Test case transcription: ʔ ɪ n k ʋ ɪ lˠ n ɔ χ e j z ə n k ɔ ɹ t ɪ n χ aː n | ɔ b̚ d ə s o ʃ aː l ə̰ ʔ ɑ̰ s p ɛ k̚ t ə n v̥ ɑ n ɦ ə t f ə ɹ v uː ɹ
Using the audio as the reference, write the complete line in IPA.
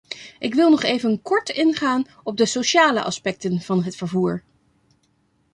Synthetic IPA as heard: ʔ ɪ k ʋ ɪ lˠ n ɔ χ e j v ə n k ɔ ɹ t ɪ n χ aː n | ɔ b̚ d ə s o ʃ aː l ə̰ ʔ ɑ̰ s p ɛ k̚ t ə n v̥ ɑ n ɦ ə t f ə ɹ v uː ɹ